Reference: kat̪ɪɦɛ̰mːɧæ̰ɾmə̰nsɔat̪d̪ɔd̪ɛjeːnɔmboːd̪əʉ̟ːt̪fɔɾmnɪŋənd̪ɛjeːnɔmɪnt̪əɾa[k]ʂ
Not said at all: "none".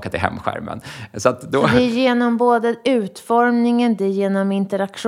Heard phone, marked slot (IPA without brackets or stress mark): k